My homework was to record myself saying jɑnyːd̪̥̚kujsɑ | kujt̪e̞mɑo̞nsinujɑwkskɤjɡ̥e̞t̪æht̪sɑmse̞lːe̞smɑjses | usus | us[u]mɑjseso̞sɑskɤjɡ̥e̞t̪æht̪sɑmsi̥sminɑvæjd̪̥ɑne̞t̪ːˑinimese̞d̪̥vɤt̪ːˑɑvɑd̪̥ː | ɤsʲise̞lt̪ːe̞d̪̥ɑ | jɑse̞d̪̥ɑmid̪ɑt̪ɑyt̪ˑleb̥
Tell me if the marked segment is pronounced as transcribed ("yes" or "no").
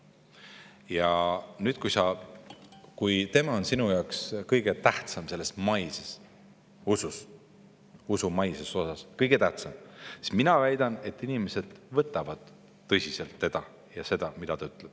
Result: yes